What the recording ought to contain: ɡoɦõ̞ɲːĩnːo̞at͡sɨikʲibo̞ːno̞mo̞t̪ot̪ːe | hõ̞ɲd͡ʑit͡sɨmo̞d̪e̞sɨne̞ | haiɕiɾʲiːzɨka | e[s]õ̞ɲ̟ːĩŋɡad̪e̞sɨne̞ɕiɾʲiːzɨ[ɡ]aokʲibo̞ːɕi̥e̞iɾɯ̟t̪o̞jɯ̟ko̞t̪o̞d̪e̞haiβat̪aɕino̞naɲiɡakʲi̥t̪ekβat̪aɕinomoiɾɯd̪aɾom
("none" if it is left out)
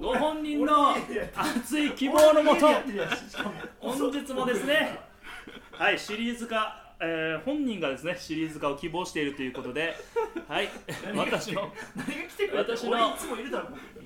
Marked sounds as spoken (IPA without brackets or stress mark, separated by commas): h, k